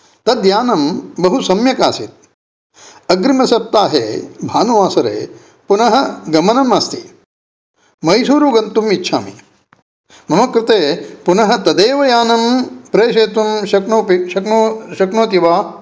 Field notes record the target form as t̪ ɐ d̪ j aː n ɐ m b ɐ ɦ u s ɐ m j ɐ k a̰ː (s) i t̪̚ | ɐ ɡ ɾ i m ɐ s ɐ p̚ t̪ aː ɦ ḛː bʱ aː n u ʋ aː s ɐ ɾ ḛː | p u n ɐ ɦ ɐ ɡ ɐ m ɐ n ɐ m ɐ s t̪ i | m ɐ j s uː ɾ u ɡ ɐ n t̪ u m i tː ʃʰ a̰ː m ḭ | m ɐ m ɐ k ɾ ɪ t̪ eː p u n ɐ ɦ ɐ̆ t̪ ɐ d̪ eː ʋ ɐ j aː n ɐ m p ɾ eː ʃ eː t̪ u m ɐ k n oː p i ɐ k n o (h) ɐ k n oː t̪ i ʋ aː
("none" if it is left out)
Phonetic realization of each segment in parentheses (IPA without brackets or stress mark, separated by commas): s, ʃ